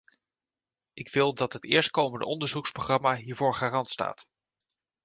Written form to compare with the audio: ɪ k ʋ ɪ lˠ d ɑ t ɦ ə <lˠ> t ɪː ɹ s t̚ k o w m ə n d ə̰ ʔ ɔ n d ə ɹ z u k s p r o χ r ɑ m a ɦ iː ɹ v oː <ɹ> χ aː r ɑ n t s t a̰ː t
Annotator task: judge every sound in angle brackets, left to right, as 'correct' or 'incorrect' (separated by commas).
incorrect, correct